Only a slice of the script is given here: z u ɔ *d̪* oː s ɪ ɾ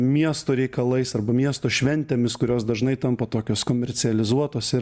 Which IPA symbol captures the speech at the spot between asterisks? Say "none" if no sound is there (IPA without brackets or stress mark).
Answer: t̪